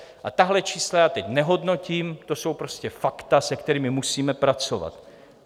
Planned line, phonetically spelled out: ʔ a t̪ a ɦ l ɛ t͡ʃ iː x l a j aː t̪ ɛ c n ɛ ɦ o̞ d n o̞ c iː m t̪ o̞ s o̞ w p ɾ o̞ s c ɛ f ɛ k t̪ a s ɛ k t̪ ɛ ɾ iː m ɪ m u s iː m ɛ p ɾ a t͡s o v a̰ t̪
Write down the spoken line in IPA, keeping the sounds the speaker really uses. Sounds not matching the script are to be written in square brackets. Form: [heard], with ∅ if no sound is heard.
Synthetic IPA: ʔ a t̪ a ɦ l ɛ t͡ʃ iː [s] l a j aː t̪ ɛ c n ɛ ɦ o̞ d n o̞ c iː m t̪ o̞ s o̞ w p ɾ o̞ s c ɛ f [a] k t̪ a s ɛ k t̪ ɛ ɾ iː m ɪ m u s iː m ɛ p ɾ a t͡s o v a̰ t̪